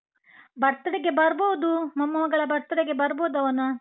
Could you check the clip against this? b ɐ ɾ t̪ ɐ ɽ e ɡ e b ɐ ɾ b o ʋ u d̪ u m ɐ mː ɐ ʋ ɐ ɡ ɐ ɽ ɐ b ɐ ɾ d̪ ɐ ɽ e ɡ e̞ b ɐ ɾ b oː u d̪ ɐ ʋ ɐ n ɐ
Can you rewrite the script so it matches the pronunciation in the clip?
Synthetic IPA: b ɐ ɾ t̪ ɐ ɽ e ɡ e b ɐ ɾ b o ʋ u d̪ u m ɐ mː ɐ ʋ ɐ ɡ ɐ ɭ ɐ b ɐ ɾ t̪ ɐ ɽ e ɡ e̞ b ɐ ɾ b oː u d̪ ɐ ʋ ɐ n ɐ

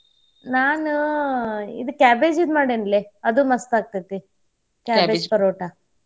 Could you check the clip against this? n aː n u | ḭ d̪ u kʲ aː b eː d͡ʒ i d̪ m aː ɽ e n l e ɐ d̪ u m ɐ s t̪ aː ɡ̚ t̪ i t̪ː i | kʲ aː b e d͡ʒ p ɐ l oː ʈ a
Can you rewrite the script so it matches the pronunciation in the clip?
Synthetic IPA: n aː n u | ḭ d̪ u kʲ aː b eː d͡ʒ i d̪ m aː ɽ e n l e ɐ d̪ u m ɐ s t̪ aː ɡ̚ t̪ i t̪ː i | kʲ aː b e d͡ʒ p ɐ ɾ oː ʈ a

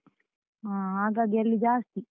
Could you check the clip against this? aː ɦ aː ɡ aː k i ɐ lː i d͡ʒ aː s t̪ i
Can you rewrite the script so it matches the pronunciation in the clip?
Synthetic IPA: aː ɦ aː ɡ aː ɡ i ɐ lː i d͡ʒ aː s t̪ i

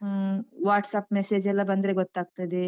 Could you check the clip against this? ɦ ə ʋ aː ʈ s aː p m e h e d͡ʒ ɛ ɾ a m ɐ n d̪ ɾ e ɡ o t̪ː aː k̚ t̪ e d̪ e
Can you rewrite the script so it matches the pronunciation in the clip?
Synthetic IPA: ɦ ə ʋ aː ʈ s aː p m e s e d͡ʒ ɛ l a b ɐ n d̪ ɾ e ɡ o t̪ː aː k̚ t̪ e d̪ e

